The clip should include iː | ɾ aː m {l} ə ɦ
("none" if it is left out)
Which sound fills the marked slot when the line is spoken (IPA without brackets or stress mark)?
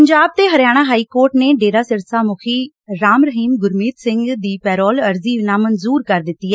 ɾ